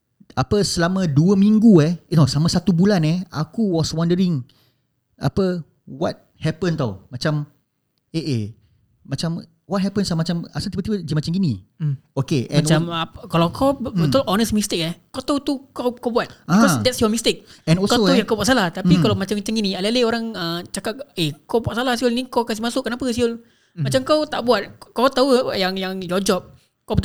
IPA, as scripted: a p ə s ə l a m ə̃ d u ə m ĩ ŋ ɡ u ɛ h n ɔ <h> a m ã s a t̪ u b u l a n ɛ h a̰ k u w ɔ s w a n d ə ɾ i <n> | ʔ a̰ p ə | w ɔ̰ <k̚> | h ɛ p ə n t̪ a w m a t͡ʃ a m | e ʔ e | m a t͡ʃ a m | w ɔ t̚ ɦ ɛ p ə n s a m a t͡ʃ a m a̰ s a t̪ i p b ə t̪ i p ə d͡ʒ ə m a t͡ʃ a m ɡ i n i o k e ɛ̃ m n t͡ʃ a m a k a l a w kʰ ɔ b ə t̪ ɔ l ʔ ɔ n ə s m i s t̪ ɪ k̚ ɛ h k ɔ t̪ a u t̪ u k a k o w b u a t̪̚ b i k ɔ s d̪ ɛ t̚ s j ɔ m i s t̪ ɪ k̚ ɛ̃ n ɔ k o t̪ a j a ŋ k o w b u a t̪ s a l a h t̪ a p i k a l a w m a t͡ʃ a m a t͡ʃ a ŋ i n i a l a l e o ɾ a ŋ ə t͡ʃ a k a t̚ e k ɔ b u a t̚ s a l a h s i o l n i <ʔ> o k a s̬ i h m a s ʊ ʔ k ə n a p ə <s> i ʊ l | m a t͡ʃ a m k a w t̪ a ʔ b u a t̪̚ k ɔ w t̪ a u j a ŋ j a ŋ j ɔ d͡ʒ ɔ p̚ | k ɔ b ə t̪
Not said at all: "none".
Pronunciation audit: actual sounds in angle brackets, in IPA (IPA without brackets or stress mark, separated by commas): s, ŋ, t̚, k, s